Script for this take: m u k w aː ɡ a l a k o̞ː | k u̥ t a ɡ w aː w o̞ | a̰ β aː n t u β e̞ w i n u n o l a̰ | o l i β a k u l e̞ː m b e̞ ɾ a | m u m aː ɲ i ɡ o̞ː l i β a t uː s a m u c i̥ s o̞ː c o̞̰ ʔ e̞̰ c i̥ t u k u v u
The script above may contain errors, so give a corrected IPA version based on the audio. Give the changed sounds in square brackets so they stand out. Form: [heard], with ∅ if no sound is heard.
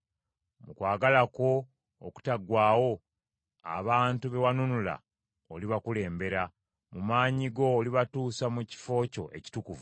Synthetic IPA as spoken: m u k w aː ɡ a l a k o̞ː | k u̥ t a ɡ w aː w o̞ | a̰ β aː n t u β e̞ w [a] n u n [u] l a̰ | o l i β a k u l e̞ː m b e̞ ɾ a | m u m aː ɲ i ɡ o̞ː l i β a t uː s a m u c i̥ [f] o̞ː c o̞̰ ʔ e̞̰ c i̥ t u k u v u